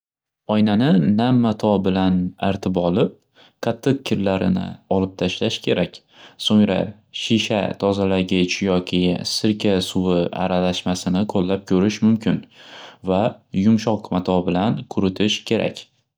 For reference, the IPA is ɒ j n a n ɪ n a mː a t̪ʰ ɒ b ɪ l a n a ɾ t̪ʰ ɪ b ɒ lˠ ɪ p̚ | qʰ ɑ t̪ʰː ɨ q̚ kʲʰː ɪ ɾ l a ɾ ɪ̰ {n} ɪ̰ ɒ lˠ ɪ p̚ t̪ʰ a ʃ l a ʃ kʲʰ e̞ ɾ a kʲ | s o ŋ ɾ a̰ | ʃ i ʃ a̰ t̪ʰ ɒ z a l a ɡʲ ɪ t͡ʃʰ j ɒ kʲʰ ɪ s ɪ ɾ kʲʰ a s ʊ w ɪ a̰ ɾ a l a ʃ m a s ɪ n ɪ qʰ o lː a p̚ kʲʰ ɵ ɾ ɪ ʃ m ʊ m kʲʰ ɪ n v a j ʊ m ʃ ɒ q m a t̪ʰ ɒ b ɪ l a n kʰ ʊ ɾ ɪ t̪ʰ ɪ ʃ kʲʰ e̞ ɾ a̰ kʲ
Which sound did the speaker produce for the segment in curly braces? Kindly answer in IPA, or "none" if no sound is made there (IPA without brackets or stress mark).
n